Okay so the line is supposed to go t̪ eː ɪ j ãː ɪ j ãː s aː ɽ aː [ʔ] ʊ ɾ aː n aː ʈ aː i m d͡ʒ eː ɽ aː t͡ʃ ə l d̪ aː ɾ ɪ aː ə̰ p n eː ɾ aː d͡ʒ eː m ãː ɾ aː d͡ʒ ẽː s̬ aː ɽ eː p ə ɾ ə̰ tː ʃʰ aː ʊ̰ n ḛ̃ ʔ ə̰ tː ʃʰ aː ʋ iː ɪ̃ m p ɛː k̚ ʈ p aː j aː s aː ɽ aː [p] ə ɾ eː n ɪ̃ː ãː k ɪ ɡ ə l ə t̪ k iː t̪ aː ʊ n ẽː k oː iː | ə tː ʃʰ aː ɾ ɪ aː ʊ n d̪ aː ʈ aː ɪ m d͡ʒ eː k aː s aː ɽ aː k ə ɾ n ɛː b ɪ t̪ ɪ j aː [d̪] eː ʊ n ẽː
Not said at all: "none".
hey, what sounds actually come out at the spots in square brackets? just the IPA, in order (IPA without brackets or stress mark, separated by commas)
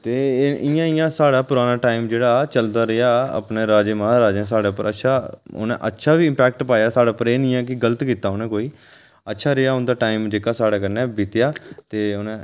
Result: p, p, t̪